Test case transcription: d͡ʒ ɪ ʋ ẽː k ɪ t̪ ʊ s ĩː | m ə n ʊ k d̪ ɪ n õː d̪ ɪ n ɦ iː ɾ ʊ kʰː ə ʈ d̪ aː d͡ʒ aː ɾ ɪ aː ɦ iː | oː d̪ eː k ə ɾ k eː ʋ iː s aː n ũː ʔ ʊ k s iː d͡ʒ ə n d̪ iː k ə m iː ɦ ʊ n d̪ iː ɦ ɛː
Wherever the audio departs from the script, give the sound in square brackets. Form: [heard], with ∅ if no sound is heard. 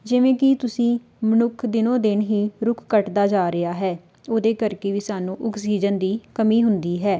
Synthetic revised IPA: d͡ʒ ɪ ʋ ẽː k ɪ t̪ ʊ s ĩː | m ə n ʊ [kʰ] d̪ ɪ n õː d̪ ɪ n ɦ iː ɾ ʊ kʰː ə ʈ d̪ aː d͡ʒ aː ɾ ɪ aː ɦ [ɛː] | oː d̪ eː k ə ɾ k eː ʋ iː s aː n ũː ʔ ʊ k s iː d͡ʒ ə n d̪ iː k ə m iː ɦ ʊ n d̪ iː ɦ ɛː